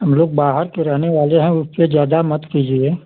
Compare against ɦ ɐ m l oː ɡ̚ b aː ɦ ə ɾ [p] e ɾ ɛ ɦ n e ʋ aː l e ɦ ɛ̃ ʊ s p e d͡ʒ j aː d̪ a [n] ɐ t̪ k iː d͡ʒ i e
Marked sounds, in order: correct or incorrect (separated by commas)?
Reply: incorrect, incorrect